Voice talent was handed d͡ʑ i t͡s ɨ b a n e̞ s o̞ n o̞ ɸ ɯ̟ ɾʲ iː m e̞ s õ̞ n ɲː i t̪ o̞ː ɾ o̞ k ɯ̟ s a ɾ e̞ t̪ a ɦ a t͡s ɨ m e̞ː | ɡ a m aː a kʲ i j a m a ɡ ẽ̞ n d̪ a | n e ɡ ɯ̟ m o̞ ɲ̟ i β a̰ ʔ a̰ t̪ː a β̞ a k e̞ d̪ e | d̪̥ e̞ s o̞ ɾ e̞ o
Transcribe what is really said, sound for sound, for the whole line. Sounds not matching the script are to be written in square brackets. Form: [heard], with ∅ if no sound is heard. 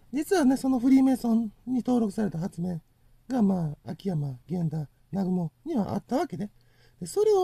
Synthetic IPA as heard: d͡ʑ i t͡s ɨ [β] a n e̞ s o̞ n o̞ ɸ ɯ̟ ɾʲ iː m e̞ s õ̞ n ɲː i t̪ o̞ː ɾ o̞ k ɯ̟ s a ɾ e̞ t̪ a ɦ a t͡s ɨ m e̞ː | ɡ a m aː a kʲ i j a m a ɡ ẽ̞ n d̪ a | n [a] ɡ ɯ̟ m o̞ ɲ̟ i β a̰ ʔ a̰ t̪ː a β̞ a k e̞ d̪ e | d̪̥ e̞ s o̞ ɾ e̞ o